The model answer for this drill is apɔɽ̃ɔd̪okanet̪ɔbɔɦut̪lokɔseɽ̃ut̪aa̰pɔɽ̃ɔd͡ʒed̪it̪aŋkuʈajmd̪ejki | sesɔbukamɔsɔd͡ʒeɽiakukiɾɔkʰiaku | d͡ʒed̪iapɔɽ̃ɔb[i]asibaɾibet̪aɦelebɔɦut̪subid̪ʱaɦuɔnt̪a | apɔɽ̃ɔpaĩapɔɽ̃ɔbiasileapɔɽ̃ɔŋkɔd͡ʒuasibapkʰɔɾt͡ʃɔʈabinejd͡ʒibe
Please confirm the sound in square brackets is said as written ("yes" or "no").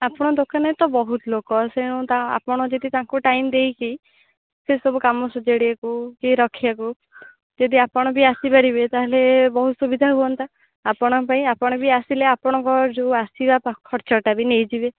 yes